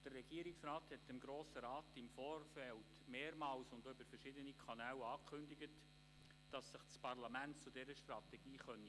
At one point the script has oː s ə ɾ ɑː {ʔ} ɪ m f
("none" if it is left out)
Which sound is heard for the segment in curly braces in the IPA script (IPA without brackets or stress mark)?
t